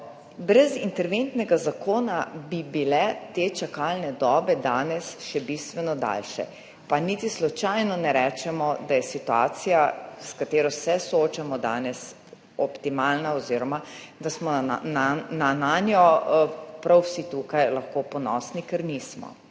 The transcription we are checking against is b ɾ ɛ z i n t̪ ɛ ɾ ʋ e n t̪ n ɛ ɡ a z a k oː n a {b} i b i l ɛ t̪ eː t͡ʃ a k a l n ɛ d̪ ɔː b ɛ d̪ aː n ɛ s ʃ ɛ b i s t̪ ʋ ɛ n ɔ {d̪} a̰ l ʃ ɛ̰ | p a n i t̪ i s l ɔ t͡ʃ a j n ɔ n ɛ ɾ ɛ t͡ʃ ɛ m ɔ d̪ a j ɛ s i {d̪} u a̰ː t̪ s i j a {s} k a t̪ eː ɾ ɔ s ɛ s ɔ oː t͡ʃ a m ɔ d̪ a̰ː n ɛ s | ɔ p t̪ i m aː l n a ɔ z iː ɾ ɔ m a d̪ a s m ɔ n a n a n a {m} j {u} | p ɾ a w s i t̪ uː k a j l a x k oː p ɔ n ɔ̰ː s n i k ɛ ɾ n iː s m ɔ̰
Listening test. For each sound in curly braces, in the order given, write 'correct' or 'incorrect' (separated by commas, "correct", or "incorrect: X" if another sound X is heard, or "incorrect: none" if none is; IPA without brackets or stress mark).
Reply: correct, correct, incorrect: t̪, correct, incorrect: n, incorrect: ɔ